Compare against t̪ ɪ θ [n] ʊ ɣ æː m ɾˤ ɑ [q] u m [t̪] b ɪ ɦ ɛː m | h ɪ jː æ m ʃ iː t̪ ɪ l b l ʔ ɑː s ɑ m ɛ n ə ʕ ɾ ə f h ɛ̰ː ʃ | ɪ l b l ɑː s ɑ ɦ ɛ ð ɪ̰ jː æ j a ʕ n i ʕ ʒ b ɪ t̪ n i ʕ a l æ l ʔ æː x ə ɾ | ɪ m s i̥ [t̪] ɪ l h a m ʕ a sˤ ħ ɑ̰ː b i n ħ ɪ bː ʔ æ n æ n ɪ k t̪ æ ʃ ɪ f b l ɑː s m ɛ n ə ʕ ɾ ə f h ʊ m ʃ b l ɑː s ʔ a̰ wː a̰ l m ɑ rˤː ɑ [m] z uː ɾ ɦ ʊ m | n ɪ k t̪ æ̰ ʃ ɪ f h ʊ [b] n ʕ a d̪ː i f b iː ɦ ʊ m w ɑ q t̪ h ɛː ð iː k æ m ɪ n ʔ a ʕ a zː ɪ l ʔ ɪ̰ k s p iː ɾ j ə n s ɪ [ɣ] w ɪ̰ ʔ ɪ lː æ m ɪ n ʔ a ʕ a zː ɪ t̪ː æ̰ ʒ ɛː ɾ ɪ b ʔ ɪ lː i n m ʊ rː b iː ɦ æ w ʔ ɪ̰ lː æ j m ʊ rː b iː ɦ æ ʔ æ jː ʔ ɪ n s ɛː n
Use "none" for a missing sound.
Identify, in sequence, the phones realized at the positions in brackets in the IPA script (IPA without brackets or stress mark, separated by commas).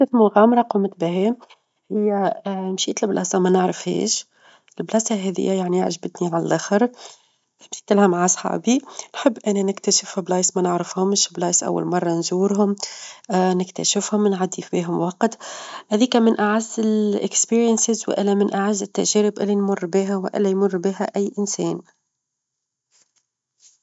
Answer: m, q, t̪, t̪, n, m, z